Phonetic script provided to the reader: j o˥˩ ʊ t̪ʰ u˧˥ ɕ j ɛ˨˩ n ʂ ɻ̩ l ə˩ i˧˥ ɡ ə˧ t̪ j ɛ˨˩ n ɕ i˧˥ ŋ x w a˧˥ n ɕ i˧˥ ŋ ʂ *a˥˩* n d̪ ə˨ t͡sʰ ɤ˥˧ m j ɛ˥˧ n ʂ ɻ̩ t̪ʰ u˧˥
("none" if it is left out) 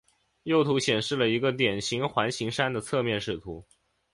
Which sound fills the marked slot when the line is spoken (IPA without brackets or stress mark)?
a˥